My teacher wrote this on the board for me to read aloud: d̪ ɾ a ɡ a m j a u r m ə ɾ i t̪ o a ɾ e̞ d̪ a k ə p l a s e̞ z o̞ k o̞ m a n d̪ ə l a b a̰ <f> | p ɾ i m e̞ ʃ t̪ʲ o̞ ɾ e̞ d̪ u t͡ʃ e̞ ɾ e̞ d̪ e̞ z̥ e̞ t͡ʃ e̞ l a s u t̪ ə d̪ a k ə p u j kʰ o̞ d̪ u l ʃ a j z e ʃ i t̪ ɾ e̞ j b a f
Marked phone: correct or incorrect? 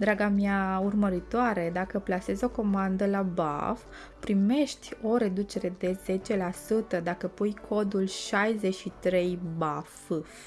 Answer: correct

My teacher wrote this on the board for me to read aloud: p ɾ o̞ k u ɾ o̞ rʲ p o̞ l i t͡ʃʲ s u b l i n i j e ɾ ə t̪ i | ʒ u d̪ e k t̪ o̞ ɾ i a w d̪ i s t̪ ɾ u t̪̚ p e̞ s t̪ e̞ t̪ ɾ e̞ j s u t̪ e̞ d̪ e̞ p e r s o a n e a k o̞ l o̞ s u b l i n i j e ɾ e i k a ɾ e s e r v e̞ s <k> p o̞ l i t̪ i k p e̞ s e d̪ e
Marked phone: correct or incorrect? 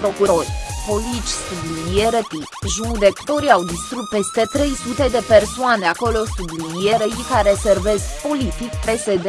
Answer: correct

